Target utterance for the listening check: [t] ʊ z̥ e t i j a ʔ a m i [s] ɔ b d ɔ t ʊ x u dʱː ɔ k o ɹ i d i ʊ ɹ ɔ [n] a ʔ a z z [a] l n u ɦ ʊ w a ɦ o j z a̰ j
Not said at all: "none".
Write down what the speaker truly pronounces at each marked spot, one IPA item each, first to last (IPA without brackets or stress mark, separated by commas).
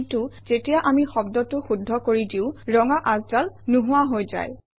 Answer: t, x, ŋ, a